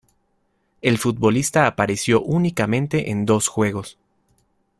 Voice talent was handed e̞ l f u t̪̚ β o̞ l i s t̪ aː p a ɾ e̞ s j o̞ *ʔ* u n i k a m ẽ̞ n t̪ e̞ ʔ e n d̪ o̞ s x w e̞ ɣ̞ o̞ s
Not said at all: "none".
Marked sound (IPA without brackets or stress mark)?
ʔ